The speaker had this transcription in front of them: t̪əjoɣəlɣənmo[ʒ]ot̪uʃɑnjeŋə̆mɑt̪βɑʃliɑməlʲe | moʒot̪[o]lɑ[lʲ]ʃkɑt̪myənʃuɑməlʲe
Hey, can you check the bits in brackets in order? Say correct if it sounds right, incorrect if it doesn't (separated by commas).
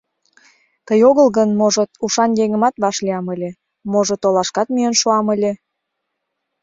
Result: correct, correct, incorrect